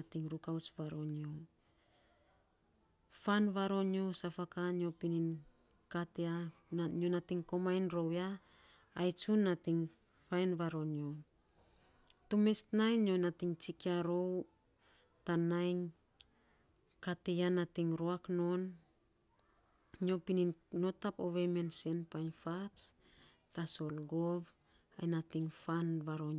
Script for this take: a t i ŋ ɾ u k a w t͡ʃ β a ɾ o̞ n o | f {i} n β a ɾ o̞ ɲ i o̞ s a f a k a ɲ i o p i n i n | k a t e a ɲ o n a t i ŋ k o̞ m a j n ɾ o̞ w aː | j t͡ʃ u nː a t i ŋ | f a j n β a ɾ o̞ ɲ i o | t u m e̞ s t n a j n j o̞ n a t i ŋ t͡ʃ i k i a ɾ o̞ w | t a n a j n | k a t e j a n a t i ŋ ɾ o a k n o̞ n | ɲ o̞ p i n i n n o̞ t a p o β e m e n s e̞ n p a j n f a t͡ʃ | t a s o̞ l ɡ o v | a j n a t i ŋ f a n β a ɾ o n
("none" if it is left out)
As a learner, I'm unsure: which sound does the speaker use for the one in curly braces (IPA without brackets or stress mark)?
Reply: a